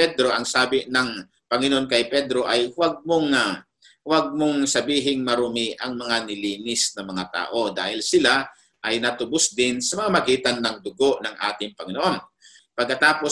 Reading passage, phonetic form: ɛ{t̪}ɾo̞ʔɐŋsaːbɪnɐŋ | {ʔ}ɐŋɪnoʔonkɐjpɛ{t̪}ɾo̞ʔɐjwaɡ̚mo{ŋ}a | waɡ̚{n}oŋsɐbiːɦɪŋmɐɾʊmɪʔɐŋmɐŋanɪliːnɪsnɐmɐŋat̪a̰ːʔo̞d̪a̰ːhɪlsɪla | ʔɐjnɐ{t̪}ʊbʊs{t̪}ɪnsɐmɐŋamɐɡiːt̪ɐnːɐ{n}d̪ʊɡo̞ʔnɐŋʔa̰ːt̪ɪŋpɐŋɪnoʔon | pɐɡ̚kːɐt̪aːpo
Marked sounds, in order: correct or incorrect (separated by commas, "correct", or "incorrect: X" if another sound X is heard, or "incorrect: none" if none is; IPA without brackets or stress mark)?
incorrect: d̪, incorrect: p, incorrect: d̪, correct, incorrect: m, correct, incorrect: d̪, incorrect: ŋ